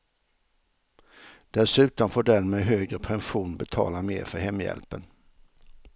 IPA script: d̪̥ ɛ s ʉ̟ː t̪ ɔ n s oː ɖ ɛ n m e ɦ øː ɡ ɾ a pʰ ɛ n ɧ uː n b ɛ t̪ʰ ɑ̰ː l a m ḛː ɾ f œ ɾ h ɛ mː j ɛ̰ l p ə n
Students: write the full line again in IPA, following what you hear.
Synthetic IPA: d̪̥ ɛ s ʉ̟ː t̪ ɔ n f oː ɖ ɛ n m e ɦ øː ɡ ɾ ə pʰ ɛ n ɧ uː n b ɛ t̪ʰ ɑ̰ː l a m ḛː ɾ f œ ɾ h ɛ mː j ɛ̰ l p ə n

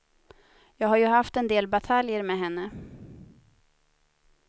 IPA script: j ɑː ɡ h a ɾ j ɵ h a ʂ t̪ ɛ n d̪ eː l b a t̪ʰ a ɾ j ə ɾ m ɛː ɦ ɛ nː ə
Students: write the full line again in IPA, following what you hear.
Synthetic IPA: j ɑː ɡ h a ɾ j ɵ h a f t̪ ɛ n d̪ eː l b a t̪ʰ a l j ə ɾ m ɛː ɦ ɛ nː ə

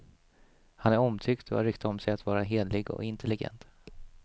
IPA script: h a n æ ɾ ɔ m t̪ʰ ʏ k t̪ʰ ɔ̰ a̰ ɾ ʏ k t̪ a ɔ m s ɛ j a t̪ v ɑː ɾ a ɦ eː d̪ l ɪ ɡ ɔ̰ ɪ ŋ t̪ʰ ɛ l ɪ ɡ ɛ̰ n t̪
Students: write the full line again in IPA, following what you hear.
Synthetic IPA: h a n æ ɾ ɔ m t̪ʰ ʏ k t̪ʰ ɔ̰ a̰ ɾ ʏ k t̪ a ɔ m s ɛ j a t̪ v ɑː ɾ a ɦ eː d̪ l ɪ ɡ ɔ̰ ɪ n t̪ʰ ɛ l ɪ ɡ ɛ̰ n t̪

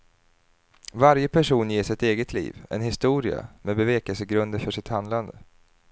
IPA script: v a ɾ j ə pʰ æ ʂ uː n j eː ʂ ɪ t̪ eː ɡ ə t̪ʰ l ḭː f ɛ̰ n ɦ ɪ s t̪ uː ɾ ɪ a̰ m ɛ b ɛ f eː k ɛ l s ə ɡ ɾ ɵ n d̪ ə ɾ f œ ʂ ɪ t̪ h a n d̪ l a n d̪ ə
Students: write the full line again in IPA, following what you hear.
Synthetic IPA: v a ɾ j ə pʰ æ ʂ uː n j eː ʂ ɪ t̪ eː ɡ ə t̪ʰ l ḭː v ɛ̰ n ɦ ɪ s t̪ uː ɾ ɪ a̰ m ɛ b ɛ v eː k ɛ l s ə ɡ ɾ ɵ n d̪ ə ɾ f œ ʂ ɪ t̪ h a n d̪ l a n d̪ ə

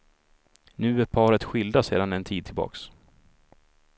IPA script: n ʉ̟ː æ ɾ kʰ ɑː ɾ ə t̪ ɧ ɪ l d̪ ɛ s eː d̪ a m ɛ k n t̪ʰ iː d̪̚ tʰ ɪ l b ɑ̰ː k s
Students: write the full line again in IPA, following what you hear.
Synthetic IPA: n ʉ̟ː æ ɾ pʰ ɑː ɾ ə t̪ ɧ ɪ l d̪ a s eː d̪ a n ɛ n t̪ʰ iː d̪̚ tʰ ɪ l b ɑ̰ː k s

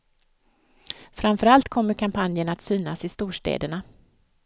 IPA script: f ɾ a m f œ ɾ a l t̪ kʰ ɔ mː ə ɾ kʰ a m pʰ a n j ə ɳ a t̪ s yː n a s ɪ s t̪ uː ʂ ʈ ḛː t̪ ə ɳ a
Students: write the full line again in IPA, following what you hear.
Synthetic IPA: f ɾ a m f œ ɾ a l t̪ kʰ ɔ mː ə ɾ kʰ a m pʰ a n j ə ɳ a t̪ s yː n a s ɪ s t̪ uː ʂ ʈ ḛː d̪ ə ɳ a

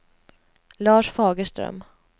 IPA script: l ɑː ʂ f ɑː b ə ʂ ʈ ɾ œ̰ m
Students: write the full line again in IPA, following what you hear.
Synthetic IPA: l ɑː ʂ f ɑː ɡ ə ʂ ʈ ɾ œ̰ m

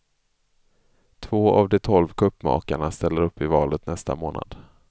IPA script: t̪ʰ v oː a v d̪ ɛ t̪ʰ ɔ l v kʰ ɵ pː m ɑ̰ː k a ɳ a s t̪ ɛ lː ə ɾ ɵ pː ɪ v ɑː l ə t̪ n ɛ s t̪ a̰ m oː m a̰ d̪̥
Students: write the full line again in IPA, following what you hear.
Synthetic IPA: t̪ʰ v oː a v d̪ ɛ t̪ʰ ɔ l v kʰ ɵ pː m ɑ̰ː k a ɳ a s t̪ ɛ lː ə ɾ ɵ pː ɪ v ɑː l ə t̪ n ɛ s t̪ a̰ m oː n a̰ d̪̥

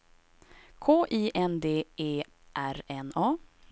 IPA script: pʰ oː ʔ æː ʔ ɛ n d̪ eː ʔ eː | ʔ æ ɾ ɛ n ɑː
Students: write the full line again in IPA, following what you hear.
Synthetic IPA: kʰ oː ʔ iː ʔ ɛ n d̪ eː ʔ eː | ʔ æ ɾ ɛ n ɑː

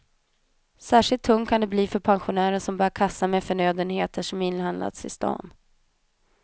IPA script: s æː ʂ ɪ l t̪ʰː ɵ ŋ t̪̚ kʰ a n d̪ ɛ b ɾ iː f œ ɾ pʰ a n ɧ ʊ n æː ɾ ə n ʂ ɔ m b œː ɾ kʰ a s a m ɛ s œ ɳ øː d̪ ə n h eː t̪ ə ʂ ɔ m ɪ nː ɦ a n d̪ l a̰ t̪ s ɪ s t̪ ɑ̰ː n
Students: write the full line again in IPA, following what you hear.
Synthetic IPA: s æː ʂ ɪ l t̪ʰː ɵ ŋ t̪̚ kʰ a n d̪ ɛ b l iː f œ ɾ pʰ a n ɧ ʊ n æː ɾ ə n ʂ ɔ m b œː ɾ kʰ a s a m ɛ f œ ɳ øː d̪ ə n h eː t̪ ə ʂ ɔ m ɪ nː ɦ a n d̪ l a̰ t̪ s ɪ s t̪ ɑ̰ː n

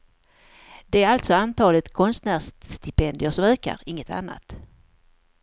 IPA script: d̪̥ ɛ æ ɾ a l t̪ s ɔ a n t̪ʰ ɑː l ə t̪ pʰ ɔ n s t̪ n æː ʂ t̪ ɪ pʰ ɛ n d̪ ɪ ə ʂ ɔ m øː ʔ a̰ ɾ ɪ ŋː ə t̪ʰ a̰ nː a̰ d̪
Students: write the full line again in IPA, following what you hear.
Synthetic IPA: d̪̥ ɛ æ ɾ a l t̪ s ɔ a n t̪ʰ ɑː l ə t̪ kʰ ɔ n s t̪ n æː ʂ t̪ ɪ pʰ ɛ n d̪ ɪ ə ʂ ɔ m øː k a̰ ɾ ɪ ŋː ə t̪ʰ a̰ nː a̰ t̪

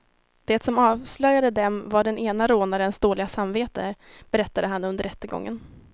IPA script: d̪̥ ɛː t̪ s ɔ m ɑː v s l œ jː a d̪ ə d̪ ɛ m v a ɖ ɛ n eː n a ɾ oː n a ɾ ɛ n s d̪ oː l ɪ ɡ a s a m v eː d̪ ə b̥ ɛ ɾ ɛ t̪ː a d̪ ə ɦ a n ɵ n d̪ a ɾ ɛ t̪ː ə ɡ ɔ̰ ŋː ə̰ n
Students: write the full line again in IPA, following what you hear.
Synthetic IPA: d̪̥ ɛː t̪ s ɔ m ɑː v s l œ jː a d̪ ə d̪ ɛ m v a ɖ ɛ n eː n a ɾ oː n a ɾ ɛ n s d̪ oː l ɪ ɡ a s a m v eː t̪ ə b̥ ɛ ɾ ɛ t̪ː a d̪ ə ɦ a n ɵ n d̪ ə ɾ ɛ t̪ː ə ɡ ɔ̰ ŋː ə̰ n

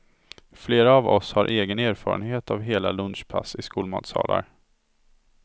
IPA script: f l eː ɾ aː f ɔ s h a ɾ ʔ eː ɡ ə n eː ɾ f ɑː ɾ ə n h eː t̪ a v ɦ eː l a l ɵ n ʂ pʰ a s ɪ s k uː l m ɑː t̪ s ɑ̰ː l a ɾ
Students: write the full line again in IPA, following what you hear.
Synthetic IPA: f l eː ɾ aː v ɔ s h a ɾ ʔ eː ɡ ə n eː ɾ f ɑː ɾ ə n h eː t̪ a v ɦ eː l a l ɵ n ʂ pʰ a s ɪ s k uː l m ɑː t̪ s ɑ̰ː l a ɾ

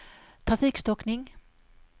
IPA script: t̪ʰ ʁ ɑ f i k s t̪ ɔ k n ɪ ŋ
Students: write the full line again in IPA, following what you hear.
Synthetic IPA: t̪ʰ ʁ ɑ f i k s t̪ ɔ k n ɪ ŋ

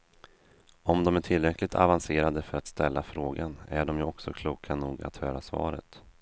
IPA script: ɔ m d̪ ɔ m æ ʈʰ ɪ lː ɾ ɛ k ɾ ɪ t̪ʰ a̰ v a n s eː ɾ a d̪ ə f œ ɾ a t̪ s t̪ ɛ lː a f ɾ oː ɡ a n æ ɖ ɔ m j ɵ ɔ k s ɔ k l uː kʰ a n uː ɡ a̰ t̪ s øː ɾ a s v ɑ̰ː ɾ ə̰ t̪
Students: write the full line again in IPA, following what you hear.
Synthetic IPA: ɔ m d̪ ɔ m æ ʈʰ ɪ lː ɾ ɛ k l ɪ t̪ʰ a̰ v a n s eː ɾ a d̪ ə f œ ɾ a t̪ s t̪ ɛ lː a f ɾ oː ɡ a n æ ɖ ɔ m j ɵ ɔ k s ɔ kʰ l uː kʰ a n uː ɡ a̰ t̪ h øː ɾ a s v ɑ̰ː ɾ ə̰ t̪

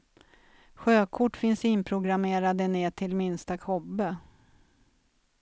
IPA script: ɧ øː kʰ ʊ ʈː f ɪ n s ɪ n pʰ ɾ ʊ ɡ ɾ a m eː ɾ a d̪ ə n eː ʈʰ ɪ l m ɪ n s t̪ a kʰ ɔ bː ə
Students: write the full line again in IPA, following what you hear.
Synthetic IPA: ɧ øː kʰ ʊ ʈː f ɪ n s ɪ n pʰ ɾ ʊ ɡ ɾ a m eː ɾ a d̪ ə n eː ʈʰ ɪ l m ɪ n s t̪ a kʰ ɔ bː ə

